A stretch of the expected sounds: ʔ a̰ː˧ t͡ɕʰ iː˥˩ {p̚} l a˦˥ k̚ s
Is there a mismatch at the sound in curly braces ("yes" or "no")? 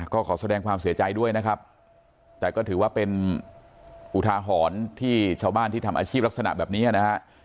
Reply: no